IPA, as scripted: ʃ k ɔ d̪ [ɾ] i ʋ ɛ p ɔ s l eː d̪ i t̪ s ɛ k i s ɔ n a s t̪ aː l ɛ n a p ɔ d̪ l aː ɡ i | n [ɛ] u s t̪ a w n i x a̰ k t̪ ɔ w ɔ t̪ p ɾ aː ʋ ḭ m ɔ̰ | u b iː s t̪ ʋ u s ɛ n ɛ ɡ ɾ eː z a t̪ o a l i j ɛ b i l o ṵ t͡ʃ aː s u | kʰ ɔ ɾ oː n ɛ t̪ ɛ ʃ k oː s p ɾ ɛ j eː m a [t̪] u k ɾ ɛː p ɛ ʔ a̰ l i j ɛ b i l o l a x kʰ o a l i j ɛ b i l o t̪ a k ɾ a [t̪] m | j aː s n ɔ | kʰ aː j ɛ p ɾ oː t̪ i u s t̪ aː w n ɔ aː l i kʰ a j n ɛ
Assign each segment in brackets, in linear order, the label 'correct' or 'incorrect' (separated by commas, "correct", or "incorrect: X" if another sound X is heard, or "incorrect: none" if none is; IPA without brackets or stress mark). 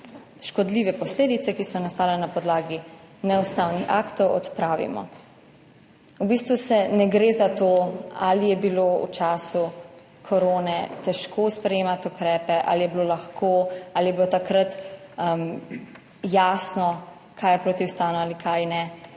incorrect: l, correct, correct, correct